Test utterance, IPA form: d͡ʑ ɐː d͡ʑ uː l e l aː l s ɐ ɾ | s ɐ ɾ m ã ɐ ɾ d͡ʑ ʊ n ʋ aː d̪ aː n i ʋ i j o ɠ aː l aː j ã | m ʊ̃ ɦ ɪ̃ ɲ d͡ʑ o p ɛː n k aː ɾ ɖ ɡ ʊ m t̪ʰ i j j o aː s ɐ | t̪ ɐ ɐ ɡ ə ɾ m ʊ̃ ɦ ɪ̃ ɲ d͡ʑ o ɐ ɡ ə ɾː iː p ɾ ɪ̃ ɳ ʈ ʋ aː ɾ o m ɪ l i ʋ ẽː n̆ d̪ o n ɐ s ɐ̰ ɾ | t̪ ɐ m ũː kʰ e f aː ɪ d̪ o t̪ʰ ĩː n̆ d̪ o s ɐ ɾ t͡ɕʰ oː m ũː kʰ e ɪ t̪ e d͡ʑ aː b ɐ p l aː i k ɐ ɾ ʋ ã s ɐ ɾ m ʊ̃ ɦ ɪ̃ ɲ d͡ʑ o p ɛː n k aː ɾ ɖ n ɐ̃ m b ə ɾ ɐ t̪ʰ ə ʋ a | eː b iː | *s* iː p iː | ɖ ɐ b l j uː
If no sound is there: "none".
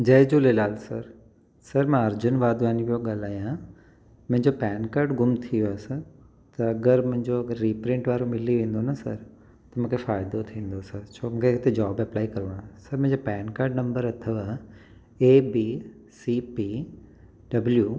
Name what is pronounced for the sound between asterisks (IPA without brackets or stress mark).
s